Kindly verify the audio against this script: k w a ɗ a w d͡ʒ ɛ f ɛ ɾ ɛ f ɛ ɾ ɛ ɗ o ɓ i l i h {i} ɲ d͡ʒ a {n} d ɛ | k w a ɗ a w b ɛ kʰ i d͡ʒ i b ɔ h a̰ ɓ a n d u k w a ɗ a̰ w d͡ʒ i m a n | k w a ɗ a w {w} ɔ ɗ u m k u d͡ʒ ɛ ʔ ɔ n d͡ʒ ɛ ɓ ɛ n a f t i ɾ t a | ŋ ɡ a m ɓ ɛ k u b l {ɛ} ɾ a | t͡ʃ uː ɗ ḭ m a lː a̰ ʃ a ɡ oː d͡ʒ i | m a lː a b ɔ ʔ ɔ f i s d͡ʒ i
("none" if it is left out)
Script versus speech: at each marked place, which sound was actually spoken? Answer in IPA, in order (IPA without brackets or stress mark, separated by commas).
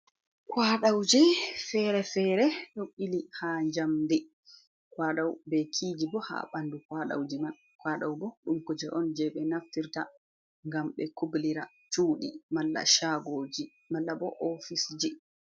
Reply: a, m, b, i